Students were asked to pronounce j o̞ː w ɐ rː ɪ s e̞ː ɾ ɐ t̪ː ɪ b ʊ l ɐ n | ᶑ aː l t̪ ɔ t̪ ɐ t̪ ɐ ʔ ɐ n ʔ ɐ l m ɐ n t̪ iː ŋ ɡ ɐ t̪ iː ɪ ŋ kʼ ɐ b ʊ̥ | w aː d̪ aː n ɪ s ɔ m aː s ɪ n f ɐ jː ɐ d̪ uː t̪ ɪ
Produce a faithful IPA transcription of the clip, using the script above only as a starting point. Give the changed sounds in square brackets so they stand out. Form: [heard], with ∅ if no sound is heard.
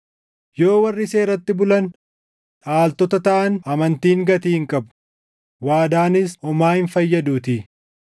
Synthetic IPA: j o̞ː w ɐ rː ɪ s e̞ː ɾ ɐ t̪ː ɪ b ʊ l ɐ n | ᶑ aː l t̪ ɔ t̪ ɐ t̪ ɐ ʔ ɐ n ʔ ɐ [∅] m ɐ n t̪ iː ŋ ɡ ɐ t̪ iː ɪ ŋ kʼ ɐ b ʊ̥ | w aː d̪ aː n ɪ s ɔ m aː [h] ɪ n f ɐ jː ɐ d̪ uː t̪ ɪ